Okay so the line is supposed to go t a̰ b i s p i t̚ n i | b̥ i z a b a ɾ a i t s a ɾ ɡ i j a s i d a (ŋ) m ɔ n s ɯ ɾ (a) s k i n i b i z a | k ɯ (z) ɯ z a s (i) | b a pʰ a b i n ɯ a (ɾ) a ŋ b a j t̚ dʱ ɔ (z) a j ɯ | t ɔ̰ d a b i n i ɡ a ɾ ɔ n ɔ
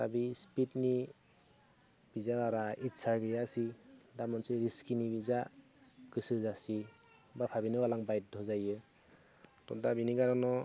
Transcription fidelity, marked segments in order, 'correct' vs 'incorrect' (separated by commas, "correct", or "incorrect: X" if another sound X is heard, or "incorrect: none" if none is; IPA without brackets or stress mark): incorrect: none, incorrect: i, incorrect: s, correct, incorrect: l, correct